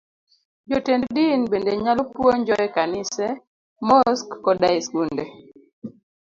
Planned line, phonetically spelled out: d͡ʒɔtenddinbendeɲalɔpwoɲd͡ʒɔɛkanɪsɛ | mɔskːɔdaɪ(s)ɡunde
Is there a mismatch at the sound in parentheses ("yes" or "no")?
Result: no